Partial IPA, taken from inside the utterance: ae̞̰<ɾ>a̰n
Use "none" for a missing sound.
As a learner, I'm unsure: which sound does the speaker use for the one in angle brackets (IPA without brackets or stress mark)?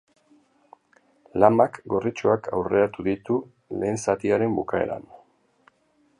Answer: ɾ